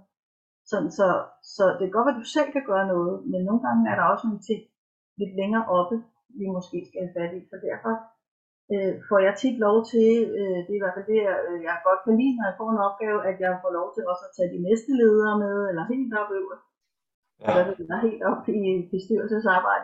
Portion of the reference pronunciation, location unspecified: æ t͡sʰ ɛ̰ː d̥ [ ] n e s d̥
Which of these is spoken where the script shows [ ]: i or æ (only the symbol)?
i